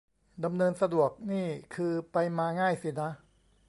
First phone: d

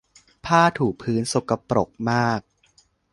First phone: pʰ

